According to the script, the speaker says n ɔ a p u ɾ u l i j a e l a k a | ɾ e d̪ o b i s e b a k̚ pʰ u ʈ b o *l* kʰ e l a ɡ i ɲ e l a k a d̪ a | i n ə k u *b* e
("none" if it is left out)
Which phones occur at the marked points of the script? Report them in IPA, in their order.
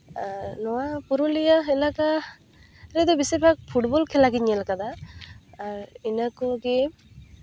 l, ɡ

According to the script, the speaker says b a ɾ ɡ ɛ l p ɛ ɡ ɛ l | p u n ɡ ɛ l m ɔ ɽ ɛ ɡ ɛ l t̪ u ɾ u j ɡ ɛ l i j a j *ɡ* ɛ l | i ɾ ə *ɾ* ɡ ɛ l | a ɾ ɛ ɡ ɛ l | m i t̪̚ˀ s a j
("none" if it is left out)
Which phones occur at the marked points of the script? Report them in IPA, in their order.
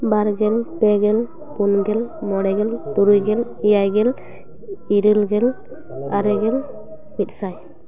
ɡ, l

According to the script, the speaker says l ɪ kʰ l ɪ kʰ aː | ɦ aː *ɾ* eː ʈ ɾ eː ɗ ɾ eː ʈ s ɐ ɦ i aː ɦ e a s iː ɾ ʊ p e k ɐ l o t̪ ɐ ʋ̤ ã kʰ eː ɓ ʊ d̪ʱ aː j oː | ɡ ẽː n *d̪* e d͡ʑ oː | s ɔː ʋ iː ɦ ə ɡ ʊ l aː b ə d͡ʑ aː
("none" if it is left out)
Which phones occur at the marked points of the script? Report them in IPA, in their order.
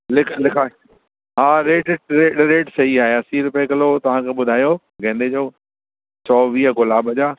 ɾ, d̪

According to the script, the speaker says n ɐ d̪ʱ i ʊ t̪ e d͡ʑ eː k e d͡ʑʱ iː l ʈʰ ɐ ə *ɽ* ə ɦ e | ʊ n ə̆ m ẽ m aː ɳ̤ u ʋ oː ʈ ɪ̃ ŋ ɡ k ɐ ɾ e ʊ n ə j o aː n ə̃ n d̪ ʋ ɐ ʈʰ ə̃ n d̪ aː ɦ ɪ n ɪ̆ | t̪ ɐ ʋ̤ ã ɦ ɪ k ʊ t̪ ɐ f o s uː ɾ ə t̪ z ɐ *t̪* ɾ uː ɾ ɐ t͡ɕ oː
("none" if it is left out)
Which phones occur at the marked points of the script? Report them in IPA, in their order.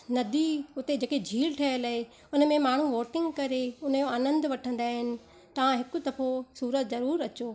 l, none

